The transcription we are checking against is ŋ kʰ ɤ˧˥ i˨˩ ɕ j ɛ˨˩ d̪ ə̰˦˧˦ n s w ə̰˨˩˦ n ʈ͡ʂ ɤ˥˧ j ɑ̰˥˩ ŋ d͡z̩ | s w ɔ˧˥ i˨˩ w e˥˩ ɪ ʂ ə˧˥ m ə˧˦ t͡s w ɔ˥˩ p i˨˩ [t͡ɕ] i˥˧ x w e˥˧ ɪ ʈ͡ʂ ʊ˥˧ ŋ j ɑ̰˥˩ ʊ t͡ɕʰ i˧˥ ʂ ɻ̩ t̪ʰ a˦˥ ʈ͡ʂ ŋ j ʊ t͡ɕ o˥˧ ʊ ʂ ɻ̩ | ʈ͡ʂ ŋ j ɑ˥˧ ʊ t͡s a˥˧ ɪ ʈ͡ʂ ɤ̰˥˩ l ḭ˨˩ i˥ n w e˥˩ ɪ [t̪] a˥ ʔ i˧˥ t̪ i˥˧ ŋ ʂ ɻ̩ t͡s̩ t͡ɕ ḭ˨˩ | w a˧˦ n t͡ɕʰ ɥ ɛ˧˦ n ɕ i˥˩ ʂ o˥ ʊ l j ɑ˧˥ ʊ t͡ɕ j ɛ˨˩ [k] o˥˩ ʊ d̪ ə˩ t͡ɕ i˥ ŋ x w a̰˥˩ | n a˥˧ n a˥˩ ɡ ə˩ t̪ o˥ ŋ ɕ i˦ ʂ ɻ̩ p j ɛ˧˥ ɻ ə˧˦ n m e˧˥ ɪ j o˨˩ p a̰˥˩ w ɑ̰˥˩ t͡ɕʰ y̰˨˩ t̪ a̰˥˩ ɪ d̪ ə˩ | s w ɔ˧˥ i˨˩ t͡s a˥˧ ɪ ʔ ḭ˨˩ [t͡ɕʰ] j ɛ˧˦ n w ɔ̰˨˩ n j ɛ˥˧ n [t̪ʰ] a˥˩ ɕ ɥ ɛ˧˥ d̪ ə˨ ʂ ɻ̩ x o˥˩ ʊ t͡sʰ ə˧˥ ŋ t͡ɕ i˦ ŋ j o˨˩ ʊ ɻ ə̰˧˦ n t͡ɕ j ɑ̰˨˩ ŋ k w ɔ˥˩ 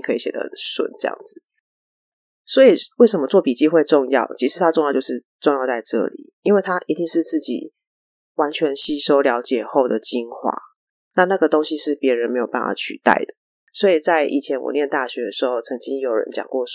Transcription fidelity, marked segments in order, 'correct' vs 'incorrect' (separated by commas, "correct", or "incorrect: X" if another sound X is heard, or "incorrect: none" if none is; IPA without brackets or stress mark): correct, incorrect: t̪ʰ, incorrect: x, correct, incorrect: t̪